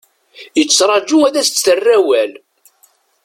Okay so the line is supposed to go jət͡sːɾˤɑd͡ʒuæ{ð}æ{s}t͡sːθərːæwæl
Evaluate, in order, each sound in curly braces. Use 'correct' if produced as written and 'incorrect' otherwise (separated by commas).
correct, correct